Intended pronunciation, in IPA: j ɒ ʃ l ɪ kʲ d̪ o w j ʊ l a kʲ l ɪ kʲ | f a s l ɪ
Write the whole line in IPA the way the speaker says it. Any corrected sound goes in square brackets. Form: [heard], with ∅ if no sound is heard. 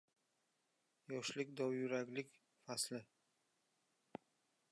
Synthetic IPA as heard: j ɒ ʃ l ɪ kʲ d̪ [ɒ] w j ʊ [ɾ] a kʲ l ɪ kʲ | f a s l ɪ